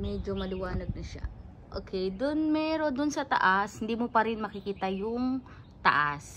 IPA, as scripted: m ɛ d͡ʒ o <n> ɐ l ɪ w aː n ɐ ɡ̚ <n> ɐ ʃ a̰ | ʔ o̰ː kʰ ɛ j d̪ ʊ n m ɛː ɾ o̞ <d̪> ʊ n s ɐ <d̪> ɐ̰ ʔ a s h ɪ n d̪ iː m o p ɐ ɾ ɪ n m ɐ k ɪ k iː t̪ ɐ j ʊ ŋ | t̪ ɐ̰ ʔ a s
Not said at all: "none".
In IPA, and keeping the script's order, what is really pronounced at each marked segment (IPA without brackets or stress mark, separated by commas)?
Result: m, n, d̪, t̪